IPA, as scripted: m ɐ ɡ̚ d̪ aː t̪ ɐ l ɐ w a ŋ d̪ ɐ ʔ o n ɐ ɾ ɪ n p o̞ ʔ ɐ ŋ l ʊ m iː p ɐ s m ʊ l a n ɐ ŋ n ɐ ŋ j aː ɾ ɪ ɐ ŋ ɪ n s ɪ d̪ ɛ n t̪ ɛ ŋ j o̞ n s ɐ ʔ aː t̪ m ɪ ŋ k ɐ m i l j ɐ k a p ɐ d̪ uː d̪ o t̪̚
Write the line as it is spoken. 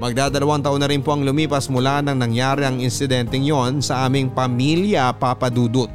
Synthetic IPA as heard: m ɐ ɡ̚ d̪ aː d̪ ɐ l ɐ w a ŋ t̪ ɐ ʔ o n ɐ ɾ ɪ n p o̞ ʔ ɐ ŋ l ʊ m iː p ɐ s m ʊ l a n ɐ ŋ n ɐ ŋ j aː ɾ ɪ ɐ ŋ ɪ n s ɪ d̪ ɛ n t̪ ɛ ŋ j o̞ n s ɐ ʔ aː m ɪ ŋ p ɐ m i l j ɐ p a p ɐ d̪ uː d̪ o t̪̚